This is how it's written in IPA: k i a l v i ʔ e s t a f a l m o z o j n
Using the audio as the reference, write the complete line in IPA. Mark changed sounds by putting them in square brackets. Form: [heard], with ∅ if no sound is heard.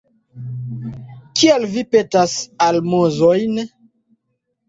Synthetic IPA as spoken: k i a l v i [p] e [∅] t a [s] a l m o z o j n